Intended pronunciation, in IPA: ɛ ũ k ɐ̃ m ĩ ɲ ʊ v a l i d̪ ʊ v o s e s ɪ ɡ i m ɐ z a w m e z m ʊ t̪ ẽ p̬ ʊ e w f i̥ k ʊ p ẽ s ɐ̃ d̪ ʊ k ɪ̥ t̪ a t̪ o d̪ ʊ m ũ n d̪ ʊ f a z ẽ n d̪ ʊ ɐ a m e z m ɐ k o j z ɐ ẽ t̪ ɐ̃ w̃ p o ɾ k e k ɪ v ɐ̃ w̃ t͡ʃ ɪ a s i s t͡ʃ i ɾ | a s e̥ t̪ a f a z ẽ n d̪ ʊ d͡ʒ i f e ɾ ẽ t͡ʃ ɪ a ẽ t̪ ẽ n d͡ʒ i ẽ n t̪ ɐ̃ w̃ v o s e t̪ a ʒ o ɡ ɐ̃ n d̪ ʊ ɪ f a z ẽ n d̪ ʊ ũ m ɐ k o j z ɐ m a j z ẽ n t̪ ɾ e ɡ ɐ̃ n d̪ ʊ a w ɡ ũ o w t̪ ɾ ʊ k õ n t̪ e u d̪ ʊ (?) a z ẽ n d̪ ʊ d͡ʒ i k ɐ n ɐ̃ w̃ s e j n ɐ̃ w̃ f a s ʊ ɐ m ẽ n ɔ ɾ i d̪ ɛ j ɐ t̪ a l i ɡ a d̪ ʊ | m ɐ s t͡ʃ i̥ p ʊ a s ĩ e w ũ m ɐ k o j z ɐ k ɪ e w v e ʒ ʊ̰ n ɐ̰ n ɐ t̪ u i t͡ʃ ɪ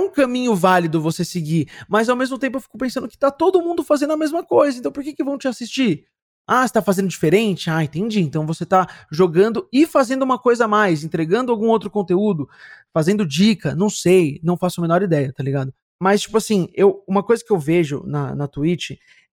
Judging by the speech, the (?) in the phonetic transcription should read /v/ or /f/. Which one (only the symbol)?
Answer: f